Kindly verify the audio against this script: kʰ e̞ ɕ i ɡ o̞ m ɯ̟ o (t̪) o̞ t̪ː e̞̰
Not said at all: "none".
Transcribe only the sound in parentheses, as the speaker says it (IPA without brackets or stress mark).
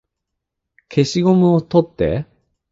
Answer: t̪